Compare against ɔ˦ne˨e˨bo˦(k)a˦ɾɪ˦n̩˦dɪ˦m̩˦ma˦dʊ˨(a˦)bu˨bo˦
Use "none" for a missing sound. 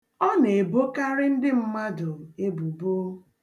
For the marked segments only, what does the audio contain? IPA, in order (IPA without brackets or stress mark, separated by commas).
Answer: k, e˦